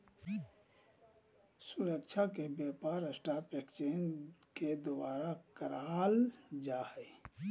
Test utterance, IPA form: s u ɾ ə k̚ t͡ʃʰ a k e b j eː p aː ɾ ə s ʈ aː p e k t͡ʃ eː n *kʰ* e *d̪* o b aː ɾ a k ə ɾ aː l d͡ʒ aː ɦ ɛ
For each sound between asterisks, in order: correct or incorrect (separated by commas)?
incorrect, correct